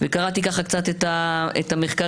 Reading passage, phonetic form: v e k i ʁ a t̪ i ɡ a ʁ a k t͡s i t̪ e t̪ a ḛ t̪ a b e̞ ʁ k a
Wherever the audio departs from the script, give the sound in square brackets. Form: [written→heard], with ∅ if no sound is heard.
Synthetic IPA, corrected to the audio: v e k [i→a] ʁ a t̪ i [ɡ→k] a [ʁ→χ] a k t͡s [i→a] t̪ e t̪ a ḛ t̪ a [b→m] e̞ [ʁ→χ] k a